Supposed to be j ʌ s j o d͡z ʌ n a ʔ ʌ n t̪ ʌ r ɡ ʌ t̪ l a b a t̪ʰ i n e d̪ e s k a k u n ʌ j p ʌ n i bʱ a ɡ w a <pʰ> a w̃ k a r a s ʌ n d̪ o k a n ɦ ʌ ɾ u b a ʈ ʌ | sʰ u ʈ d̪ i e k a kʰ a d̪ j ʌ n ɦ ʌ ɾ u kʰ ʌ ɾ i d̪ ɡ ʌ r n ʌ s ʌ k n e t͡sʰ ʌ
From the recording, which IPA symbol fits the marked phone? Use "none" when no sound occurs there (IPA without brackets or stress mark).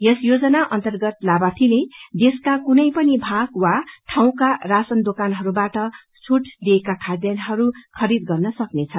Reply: ʈʰ